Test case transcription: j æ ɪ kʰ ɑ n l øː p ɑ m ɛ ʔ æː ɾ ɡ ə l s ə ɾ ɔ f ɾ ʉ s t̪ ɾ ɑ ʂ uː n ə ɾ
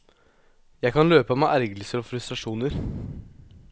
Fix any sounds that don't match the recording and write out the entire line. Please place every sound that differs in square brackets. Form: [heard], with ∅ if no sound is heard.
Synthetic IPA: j æ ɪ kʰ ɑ n l øː p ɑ m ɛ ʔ [æ] ɾ ɡ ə l s ə ɾ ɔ f ɾ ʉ s t̪ ɾ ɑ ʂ uː n ə ɾ

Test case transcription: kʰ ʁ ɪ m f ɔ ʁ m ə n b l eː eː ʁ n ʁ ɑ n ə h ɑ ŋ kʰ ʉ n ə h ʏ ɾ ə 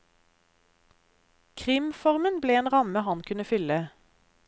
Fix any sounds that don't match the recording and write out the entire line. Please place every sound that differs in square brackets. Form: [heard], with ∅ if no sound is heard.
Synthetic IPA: kʰ ʁ ɪ m f ɔ ʁ m ə n b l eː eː [∅] n ʁ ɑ [m] ə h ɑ [n] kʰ ʉ n ə [f] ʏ [l] ə

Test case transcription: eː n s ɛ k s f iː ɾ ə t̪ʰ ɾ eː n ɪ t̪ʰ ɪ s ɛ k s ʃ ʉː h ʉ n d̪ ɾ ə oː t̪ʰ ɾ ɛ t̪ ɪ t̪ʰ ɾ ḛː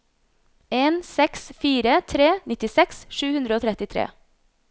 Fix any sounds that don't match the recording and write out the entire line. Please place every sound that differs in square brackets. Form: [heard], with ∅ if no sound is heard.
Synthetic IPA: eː n s ɛ k s f iː ɾ ə t̪ʰ ɾ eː n ɪ [t̪] ɪ s ɛ k s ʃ ʉː h ʉ n d̪ ɾ ə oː t̪ʰ ɾ ɛ t̪ ɪ t̪ʰ ɾ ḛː

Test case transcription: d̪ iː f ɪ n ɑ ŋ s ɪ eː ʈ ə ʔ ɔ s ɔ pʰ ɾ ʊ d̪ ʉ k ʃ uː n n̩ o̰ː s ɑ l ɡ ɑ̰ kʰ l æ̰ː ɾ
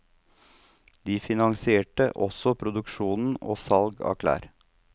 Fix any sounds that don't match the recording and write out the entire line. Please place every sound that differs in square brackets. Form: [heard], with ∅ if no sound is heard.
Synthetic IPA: d̪ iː f ɪ n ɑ ŋ s ɪ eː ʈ ə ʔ ɔ s ɔ pʰ ɾ ʊ d̪ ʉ k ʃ uː n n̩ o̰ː s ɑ l ɡ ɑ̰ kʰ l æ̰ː ɾ

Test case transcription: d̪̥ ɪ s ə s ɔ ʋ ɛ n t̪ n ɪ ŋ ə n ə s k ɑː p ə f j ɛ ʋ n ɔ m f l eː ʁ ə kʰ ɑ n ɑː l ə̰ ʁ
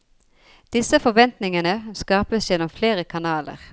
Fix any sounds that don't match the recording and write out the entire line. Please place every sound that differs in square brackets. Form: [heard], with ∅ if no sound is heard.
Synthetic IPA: d̪̥ ɪ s ə [f] ɔ ʋ ɛ n t̪ n ɪ ŋ ə n ə s k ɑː p ə [s] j ɛ [∅] n ɔ m f l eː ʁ ə kʰ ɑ n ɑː l ə̰ ʁ

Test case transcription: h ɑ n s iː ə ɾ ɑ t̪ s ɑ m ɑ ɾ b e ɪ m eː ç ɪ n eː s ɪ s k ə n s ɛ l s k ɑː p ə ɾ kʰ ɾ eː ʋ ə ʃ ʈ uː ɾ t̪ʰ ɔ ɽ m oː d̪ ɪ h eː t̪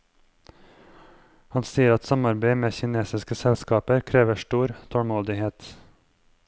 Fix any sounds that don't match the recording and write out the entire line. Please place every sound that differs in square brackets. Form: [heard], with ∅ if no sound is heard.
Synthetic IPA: h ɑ n s iː ə ɾ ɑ t̪ s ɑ m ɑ ɾ b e ɪ m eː ç ɪ n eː s ɪ s k ə [∅] s ɛ l s k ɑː p ə ɾ kʰ ɾ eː ʋ ə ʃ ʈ uː ɾ t̪ʰ ɔ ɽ m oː d̪ ɪ h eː t̪

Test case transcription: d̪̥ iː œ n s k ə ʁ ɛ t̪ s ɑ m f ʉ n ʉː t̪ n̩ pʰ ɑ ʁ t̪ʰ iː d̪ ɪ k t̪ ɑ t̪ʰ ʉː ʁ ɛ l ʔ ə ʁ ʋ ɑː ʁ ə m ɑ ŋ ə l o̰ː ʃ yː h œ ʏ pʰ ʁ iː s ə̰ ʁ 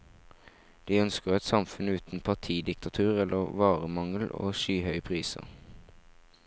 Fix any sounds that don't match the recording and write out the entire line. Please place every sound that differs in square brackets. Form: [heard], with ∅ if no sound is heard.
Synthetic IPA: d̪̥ iː œ n s k ə ʁ ɛ t̪ s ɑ m f ʉ n ʉː t̪ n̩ pʰ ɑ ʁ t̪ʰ iː d̪ ɪ k t̪ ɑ t̪ʰ ʉː ʁ ɛ l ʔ ə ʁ ʋ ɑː ʁ ə m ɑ ŋ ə l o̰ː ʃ yː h œ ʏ pʰ ʁ iː s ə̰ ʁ

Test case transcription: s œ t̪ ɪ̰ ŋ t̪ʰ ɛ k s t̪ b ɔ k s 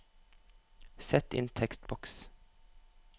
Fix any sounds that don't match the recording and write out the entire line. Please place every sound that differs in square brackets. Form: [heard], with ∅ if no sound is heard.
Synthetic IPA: s [ɛ] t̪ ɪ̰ [n] t̪ʰ ɛ k s t̪ b ɔ k s

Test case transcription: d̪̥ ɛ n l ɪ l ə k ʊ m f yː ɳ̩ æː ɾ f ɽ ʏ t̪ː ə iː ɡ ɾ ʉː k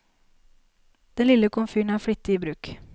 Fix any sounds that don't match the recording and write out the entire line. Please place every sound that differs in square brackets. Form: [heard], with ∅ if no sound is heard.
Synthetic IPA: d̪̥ ɛ n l ɪ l ə k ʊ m f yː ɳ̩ æː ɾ f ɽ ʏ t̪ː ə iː [b] ɾ ʉː k

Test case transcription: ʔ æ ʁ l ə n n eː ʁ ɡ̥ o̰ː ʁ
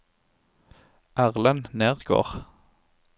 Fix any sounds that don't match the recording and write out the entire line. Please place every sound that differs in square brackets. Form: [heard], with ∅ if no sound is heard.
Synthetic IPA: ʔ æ ʁ l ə n n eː ʁ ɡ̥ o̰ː ʁ

